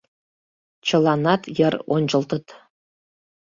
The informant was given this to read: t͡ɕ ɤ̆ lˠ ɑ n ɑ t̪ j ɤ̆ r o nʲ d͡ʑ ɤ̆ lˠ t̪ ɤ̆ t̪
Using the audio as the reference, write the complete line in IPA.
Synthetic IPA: t͡ɕ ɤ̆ lˠ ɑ n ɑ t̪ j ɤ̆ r o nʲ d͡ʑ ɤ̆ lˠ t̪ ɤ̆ t̪

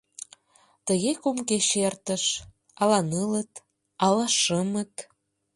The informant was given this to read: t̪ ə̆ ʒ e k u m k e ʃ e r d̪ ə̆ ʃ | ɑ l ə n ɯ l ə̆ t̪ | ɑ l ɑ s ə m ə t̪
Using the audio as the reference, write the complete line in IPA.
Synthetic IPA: t̪ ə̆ ɣ e k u m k e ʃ e r t̪ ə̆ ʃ | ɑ l ɑ n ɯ l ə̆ t̪ | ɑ l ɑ ʃ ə m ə t̪

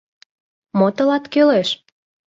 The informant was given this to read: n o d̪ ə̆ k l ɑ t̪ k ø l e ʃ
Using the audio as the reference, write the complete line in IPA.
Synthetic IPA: m o t̪ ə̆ l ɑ t̪ k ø l e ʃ

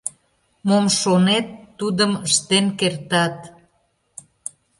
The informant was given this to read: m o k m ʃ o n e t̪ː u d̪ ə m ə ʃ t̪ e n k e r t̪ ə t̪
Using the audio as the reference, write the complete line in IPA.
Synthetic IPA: m o m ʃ o n e t̪ː u d̪ ə m ə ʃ t̪ e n k e r t̪ ɑ t̪

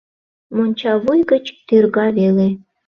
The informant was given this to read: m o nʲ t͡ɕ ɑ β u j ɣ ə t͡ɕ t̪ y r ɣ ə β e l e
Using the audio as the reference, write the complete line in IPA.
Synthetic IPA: m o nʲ t͡ɕ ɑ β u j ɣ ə t͡ɕ t̪ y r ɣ ɑ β e l e

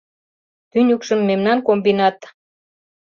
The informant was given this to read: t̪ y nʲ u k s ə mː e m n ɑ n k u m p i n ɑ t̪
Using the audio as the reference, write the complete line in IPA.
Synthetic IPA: t̪ y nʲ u k ʃ ə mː e m n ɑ n k o m b i n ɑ t̪

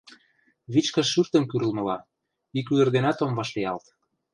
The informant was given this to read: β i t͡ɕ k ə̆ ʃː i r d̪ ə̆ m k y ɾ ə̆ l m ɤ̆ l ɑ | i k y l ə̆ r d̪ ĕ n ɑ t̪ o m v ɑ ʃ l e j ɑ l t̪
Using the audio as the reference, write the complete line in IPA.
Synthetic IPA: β i t͡ɕ k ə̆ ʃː y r t̪ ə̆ m k y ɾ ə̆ l m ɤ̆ l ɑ | i k y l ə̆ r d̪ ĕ n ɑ t̪ o m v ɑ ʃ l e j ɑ l t̪

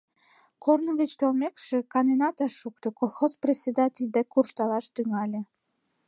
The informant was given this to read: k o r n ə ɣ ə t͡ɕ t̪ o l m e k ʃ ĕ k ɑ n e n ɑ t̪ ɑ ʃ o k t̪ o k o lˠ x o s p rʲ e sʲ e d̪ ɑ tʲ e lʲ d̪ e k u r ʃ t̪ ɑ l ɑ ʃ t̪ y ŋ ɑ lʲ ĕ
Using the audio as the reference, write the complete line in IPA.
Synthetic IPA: k o r n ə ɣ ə t͡ɕ t̪ o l m e k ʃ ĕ k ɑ n e n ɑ t̪ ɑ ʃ u k t̪ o k o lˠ x o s p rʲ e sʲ e d̪ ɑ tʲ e lʲ d̪ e k u r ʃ t̪ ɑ l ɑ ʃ t̪ y ŋ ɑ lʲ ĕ

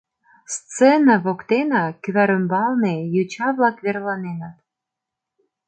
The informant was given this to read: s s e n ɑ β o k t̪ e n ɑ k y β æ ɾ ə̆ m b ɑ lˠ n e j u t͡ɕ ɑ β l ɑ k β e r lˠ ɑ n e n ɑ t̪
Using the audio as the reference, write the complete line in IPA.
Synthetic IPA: s t͡s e n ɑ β o k t̪ e n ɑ k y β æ ɾ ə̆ m b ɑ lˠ n e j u t͡ɕ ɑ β l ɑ k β e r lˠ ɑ n e n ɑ t̪

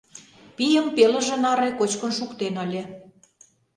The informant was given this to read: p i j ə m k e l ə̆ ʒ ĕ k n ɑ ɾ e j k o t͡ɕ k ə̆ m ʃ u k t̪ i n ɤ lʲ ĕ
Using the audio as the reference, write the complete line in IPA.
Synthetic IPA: p i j ə m p e l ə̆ ʒ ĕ n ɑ ɾ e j k o t͡ɕ k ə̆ n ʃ u k t̪ e n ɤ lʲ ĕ

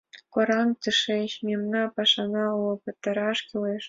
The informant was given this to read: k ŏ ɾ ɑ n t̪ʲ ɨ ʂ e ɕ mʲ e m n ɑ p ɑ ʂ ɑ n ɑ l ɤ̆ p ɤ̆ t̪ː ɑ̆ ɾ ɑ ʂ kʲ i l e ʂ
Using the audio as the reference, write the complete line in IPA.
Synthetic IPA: k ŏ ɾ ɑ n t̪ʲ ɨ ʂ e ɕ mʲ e m n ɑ p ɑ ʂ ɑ n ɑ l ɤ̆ p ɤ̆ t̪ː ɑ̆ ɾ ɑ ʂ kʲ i l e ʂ

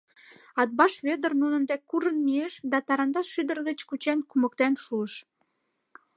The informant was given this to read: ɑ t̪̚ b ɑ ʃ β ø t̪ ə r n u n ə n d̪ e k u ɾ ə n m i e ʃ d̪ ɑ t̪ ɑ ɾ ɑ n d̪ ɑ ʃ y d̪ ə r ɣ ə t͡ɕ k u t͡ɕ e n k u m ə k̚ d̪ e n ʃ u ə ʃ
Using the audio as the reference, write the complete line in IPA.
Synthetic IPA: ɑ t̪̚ b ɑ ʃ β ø d̪ ə r n u n ə n d̪ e k u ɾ ə n m i e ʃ d̪ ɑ t̪ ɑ ɾ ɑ n d̪ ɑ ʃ y d̪ ə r ɣ ə t͡ɕ k u t͡ɕ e n k u m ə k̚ t̪ e n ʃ u ə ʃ

